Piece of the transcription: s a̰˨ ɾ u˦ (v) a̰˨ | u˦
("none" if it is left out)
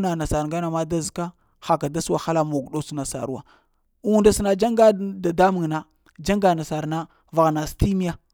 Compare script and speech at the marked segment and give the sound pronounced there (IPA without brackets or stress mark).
w